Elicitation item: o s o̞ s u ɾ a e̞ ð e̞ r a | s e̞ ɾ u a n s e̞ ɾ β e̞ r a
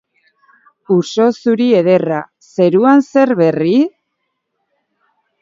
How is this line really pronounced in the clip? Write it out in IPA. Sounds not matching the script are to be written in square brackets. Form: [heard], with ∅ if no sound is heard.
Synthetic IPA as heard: [u] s o̞ s u ɾ [i] e̞ ð e̞ r a | s e̞ ɾ u a n s e̞ ɾ β e̞ r [i]